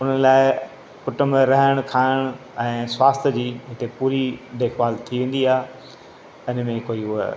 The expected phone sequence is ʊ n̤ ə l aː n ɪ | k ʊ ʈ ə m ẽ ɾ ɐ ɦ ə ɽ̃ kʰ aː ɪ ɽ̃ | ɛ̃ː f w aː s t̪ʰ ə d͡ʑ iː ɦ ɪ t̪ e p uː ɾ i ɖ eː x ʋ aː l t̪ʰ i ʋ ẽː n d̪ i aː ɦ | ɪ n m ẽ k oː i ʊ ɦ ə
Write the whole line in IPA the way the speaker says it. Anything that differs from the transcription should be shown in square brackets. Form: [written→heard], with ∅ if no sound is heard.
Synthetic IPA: ʊ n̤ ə l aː [n→∅] ɪ | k ʊ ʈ ə m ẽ ɾ ɐ ɦ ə ɽ̃ kʰ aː ɪ ɽ̃ | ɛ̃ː [f→s] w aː s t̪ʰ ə d͡ʑ iː ɦ ɪ t̪ e p uː ɾ i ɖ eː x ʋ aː l t̪ʰ i ʋ ẽː n d̪ i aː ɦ | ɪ n m ẽ k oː i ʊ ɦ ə